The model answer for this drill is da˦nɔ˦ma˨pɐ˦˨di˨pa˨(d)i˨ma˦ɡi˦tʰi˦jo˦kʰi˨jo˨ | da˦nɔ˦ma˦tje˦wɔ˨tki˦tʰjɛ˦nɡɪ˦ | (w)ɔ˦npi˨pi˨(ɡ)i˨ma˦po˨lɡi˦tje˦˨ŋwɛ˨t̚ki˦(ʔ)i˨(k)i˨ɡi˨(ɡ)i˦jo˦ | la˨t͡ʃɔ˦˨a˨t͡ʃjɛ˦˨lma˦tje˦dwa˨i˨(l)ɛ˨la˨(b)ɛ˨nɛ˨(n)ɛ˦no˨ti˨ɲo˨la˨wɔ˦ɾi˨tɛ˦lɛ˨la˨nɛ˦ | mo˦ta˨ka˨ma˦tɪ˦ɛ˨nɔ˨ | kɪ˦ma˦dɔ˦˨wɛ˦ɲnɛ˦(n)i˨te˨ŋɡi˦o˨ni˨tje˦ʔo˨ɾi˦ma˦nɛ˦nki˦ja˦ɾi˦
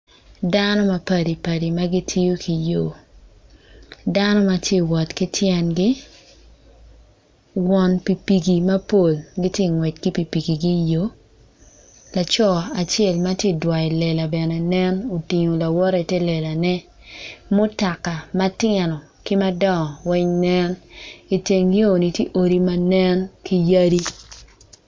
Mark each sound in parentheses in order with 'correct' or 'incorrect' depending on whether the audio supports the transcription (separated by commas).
correct, correct, correct, incorrect, incorrect, correct, correct, correct, correct, correct